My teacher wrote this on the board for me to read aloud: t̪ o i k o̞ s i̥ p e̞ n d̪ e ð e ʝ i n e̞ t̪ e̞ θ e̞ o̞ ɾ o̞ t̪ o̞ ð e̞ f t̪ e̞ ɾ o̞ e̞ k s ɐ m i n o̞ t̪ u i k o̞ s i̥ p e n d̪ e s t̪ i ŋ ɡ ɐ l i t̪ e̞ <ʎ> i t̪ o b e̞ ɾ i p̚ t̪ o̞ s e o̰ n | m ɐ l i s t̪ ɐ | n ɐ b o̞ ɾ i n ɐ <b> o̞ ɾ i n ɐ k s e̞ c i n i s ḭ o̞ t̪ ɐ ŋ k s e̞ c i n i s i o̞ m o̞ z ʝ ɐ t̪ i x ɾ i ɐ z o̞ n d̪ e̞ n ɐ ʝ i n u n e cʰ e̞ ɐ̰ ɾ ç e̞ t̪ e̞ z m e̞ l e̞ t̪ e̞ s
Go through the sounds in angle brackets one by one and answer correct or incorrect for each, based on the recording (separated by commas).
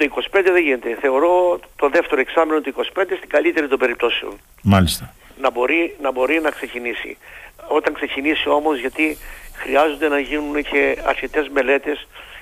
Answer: incorrect, correct